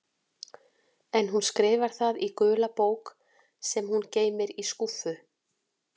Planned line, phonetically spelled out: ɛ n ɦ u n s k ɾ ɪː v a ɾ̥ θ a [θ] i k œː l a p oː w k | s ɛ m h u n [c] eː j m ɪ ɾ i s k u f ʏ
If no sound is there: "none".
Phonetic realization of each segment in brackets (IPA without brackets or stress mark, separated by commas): ð, c